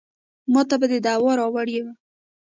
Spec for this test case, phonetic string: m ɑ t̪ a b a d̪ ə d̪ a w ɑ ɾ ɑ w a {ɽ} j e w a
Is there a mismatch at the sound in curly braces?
no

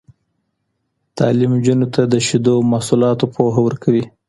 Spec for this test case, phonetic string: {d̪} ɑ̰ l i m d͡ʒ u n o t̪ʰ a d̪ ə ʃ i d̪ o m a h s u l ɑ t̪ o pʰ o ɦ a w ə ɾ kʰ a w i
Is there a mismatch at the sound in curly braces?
yes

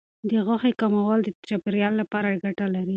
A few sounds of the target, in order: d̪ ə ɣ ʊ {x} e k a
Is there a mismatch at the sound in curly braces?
no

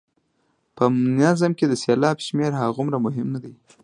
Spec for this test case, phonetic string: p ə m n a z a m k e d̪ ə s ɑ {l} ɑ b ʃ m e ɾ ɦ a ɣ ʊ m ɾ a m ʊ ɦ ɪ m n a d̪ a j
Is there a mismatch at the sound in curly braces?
no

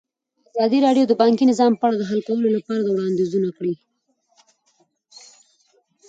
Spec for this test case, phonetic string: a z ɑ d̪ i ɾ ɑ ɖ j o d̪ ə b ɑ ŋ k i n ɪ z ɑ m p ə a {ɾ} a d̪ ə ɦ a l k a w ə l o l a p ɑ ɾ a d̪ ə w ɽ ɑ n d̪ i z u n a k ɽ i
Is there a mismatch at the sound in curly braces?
yes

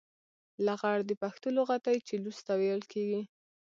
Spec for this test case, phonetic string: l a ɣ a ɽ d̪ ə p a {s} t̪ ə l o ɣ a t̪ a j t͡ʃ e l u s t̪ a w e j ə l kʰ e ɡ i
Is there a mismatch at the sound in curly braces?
yes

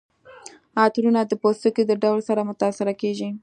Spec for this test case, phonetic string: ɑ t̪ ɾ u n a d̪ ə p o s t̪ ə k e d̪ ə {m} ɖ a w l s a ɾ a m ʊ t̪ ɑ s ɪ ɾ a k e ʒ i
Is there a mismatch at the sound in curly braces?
yes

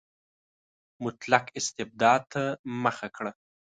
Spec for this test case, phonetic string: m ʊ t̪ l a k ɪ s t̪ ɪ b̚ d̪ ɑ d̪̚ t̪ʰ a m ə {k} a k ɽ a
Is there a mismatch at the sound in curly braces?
yes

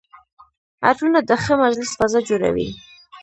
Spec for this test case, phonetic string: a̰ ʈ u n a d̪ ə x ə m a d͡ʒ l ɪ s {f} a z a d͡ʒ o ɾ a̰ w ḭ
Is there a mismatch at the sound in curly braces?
no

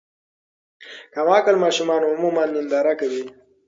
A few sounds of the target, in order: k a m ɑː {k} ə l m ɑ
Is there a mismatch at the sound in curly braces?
no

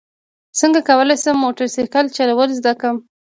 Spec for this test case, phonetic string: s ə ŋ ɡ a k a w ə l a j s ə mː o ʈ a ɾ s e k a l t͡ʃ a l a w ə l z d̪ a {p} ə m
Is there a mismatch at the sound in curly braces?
yes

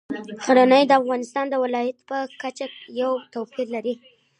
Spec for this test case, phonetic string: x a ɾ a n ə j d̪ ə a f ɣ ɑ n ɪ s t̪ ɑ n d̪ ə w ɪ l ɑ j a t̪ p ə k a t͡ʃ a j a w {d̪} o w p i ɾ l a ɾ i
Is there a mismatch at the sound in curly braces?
yes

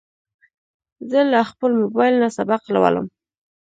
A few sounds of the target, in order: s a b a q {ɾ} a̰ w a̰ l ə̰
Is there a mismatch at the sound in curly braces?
yes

